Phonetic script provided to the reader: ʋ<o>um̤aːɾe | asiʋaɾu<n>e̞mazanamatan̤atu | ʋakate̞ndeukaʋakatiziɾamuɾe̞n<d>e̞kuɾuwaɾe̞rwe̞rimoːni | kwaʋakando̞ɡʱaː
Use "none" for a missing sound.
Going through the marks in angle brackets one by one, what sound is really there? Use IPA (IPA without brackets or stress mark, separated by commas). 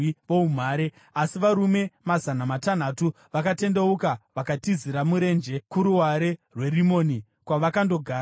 o, m, d͡ʒ